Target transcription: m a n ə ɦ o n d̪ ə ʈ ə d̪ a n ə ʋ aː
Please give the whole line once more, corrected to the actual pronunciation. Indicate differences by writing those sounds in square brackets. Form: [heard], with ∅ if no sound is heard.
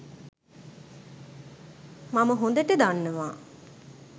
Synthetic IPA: m a [m] ə ɦ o n d̪ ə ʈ ə d̪ a [nː] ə ʋ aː